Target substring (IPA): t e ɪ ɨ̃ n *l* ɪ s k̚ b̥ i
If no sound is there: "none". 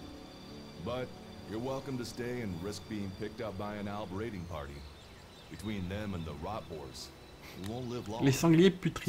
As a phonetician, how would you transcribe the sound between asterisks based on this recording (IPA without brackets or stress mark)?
ɹ